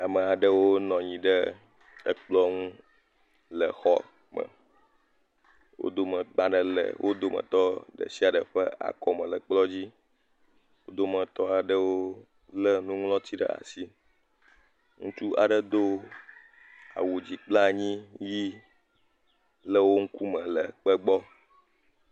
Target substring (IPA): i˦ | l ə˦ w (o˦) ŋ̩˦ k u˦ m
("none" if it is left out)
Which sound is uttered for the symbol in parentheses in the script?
o˦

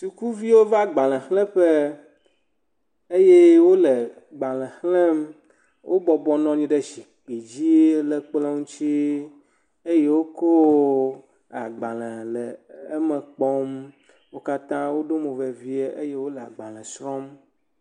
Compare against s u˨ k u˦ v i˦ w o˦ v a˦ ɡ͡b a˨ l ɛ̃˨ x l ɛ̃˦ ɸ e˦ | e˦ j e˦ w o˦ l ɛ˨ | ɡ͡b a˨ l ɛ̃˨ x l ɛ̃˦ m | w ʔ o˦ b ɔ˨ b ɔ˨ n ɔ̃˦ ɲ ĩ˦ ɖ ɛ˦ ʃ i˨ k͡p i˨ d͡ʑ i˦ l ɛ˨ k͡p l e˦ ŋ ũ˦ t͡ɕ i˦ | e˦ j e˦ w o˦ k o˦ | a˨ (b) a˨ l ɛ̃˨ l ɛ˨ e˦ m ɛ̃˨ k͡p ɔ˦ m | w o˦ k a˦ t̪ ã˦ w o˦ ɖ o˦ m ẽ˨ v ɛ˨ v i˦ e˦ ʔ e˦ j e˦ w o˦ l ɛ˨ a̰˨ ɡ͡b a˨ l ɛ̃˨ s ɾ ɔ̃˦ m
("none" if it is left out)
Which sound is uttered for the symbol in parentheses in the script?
ɡ͡b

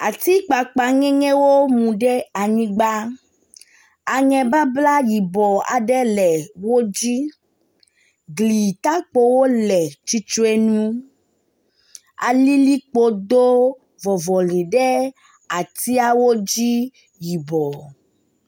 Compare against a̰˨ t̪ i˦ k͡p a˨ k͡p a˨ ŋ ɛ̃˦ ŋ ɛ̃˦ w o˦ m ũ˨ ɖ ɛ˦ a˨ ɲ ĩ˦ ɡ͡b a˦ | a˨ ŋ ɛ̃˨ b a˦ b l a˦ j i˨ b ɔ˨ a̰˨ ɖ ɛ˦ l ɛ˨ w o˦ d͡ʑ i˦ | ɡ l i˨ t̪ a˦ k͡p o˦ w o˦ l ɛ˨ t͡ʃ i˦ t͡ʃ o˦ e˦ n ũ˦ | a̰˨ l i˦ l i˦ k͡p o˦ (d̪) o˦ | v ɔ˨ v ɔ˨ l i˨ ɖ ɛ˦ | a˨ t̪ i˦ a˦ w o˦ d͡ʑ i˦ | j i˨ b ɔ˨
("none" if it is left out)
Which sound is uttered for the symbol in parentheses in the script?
d̪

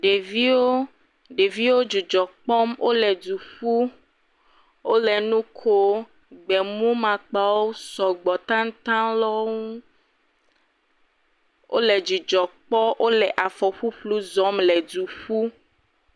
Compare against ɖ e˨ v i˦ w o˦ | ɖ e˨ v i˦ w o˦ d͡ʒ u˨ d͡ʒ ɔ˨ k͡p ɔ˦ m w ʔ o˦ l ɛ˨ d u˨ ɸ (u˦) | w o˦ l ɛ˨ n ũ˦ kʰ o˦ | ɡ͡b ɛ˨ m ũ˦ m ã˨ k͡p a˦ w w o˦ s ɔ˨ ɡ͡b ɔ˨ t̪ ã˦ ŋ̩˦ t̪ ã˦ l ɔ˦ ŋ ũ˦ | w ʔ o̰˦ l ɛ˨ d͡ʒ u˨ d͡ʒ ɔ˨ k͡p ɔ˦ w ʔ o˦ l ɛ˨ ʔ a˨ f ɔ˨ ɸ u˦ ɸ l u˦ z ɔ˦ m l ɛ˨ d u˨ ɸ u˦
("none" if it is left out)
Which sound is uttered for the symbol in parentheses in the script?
u˦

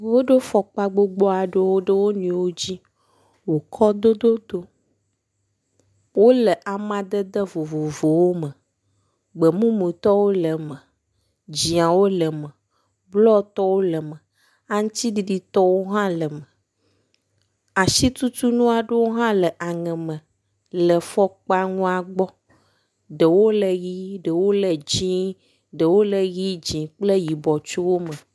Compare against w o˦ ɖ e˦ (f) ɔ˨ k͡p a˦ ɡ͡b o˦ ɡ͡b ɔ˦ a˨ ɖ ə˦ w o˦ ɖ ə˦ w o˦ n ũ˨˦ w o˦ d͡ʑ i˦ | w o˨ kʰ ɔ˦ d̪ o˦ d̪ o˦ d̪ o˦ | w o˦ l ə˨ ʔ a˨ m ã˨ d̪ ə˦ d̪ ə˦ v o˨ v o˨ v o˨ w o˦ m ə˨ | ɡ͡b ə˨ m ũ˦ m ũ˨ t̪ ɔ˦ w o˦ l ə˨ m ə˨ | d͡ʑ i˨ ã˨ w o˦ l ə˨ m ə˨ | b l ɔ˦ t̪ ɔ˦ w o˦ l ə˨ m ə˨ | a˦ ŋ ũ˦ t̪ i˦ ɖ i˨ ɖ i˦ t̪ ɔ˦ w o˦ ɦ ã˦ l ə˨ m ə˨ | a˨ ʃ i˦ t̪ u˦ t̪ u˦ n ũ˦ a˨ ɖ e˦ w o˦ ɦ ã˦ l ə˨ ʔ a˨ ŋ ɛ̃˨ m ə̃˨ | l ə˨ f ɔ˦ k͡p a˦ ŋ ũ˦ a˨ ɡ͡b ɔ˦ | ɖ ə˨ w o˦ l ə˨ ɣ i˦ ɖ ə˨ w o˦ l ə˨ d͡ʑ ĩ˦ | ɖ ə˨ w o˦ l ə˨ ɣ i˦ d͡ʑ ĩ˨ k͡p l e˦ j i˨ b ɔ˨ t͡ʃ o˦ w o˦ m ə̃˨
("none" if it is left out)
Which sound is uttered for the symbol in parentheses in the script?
f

